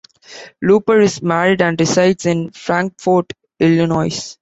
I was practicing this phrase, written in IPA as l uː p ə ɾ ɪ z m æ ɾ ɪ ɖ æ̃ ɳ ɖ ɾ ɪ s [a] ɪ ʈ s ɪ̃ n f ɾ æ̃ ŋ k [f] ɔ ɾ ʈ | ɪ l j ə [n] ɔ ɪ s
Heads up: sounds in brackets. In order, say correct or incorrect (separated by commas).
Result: correct, correct, correct